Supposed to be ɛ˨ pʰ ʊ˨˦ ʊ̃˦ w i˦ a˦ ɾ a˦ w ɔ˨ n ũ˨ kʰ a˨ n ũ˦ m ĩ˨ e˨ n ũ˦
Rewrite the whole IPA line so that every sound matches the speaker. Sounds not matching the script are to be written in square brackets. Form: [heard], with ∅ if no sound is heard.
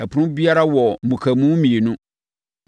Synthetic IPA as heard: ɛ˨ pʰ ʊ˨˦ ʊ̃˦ [b] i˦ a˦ ɾ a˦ w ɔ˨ [m] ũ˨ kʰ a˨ [m] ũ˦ m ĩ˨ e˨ n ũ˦